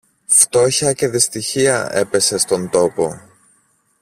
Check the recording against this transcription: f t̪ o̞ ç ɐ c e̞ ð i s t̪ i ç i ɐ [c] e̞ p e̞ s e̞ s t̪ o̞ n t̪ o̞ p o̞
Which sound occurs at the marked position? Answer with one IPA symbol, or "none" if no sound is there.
none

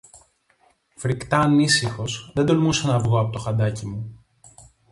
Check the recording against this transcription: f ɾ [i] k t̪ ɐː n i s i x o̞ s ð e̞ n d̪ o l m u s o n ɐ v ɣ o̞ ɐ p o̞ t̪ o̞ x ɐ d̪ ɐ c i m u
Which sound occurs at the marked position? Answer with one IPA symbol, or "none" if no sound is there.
i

